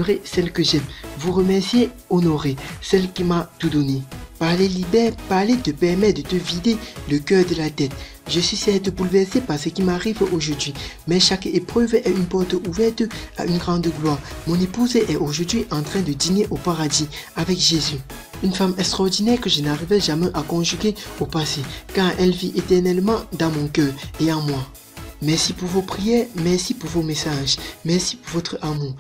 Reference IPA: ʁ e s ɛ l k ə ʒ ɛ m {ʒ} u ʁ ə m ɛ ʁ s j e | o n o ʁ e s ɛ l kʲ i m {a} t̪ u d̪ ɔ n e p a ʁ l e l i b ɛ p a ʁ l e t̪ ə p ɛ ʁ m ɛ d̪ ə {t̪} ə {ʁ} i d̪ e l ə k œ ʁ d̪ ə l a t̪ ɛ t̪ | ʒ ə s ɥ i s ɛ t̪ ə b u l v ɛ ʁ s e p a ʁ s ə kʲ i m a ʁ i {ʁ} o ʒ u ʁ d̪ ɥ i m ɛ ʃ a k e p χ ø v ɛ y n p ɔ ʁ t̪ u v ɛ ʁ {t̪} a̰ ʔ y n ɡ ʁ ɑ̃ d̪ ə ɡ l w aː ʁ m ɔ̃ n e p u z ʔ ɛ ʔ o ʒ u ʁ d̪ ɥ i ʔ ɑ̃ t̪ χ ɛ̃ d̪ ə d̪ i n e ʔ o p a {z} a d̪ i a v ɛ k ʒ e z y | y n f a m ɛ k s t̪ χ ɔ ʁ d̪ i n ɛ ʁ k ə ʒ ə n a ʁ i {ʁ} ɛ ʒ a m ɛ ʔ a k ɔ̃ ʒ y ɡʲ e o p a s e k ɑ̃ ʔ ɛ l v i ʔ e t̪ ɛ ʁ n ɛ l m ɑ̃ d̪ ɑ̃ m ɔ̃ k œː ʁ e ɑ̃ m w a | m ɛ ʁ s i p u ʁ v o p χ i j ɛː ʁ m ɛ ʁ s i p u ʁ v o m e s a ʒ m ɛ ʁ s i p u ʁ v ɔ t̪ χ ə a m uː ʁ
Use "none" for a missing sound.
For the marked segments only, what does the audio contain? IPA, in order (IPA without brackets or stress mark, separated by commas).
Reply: v, a, t̪, v, v, t̪, ʁ, v